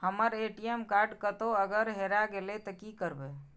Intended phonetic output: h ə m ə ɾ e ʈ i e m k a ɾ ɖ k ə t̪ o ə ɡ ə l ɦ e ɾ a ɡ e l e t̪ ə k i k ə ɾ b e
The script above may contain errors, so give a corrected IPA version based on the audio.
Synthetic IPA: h ə m ə ɾ e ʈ i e m k a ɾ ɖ k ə t̪ o ə ɡ ə ɾ ɦ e ɾ a ɡ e l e t̪ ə k i k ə ɾ b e